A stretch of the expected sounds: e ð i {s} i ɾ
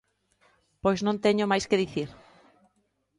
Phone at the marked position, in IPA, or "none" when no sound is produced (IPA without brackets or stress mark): θ